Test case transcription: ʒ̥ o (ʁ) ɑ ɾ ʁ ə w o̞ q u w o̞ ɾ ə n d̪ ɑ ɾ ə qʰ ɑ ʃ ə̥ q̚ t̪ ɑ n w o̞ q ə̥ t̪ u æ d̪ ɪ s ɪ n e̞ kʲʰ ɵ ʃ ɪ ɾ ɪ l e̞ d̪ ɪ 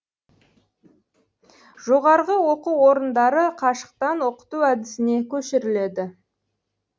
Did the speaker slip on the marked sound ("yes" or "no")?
no